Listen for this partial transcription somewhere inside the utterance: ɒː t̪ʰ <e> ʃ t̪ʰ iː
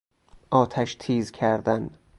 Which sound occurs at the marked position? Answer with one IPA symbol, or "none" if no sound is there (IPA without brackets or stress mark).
æ